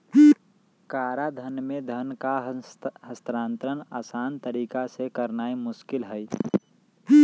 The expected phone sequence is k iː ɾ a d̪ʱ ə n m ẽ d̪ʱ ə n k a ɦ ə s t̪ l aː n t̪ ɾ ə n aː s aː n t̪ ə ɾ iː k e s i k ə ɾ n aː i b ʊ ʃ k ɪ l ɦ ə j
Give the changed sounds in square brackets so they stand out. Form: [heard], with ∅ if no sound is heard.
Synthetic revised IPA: k [aː] ɾ a d̪ʱ ə n m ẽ d̪ʱ ə n k a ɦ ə s t̪ [ɾ] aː n t̪ ɾ ə n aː s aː n t̪ ə ɾ iː k [a] s [e] k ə ɾ n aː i [m] ʊ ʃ k ɪ l ɦ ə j